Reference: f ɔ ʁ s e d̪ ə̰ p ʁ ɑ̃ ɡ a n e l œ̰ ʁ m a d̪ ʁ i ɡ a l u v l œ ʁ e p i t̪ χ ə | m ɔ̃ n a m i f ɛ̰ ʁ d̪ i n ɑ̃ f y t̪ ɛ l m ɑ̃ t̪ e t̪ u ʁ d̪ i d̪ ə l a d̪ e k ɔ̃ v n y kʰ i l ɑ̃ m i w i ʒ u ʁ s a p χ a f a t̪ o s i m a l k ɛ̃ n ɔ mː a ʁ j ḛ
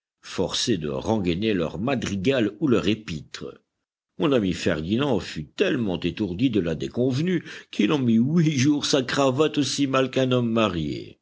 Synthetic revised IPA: f ɔ ʁ s e d̪ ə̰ ʁ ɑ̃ ɡ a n e l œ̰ ʁ m a d̪ ʁ i ɡ a l u l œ ʁ e p i t̪ χ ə | m ɔ̃ n a m i f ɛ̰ ʁ d̪ i n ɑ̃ f y t̪ ɛ l m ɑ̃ t̪ e t̪ u ʁ d̪ i d̪ ə l a d̪ e k ɔ̃ v n y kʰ i l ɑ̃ m i w i ʒ u ʁ s a k χ a v a t̪ o s i m a l k ɛ̃ n ɔ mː a ʁ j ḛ